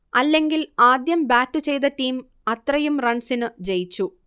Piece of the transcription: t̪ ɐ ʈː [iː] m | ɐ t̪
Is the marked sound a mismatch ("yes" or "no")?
no